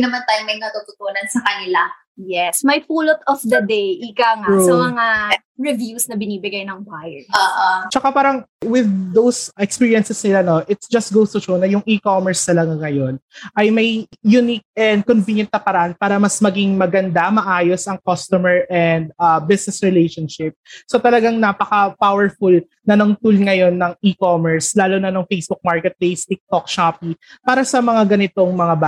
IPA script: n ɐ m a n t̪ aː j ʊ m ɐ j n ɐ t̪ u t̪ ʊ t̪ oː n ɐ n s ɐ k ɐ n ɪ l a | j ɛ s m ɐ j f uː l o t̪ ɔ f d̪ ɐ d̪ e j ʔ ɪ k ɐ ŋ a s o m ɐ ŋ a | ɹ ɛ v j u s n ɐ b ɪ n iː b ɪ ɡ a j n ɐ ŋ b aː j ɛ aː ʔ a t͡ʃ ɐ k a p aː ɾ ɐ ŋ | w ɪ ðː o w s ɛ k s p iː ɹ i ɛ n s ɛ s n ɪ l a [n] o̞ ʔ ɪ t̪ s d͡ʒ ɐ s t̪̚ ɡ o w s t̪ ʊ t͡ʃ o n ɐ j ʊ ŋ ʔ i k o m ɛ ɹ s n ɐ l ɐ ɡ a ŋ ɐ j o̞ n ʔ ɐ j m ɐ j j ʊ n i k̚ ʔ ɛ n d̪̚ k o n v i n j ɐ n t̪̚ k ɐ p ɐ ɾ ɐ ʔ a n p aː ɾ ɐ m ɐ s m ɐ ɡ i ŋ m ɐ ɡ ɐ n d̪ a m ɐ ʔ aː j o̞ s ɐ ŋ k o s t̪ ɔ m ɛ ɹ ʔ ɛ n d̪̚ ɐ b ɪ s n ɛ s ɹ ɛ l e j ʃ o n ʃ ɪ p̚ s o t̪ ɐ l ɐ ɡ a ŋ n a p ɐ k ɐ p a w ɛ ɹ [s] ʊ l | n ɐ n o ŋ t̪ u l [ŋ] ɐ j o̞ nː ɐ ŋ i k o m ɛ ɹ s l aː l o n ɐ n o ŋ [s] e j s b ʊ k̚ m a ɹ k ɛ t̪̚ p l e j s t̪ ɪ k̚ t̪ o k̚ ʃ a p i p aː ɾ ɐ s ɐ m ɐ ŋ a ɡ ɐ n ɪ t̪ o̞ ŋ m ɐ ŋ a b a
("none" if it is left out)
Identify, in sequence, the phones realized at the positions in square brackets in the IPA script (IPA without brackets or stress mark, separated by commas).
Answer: n, f, ŋ, f